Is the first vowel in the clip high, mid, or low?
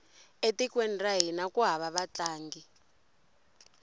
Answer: mid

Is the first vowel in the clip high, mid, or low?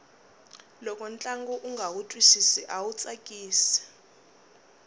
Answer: mid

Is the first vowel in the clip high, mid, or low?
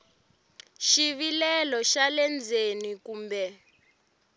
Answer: high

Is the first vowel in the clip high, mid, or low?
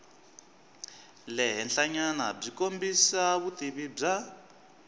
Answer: mid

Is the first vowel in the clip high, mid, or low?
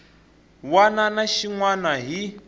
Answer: low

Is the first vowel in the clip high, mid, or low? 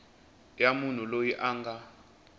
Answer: low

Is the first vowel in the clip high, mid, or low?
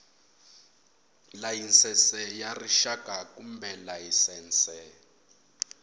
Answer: low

